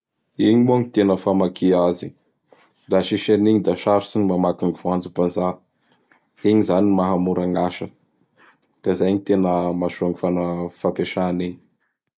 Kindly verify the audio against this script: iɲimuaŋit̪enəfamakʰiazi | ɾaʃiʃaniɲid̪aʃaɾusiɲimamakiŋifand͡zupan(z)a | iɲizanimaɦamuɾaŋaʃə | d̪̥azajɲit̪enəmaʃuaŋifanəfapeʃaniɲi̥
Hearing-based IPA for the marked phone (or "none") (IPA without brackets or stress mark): z